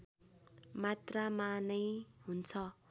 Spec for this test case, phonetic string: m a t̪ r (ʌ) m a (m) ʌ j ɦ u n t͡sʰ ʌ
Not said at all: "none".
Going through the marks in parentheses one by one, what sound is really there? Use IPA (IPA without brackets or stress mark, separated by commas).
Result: a, n